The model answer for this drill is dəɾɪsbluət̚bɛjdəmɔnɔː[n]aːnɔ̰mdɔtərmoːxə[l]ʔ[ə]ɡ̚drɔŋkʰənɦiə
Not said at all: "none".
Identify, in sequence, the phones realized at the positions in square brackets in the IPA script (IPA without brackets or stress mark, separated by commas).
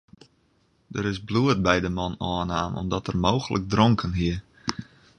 n, l, ə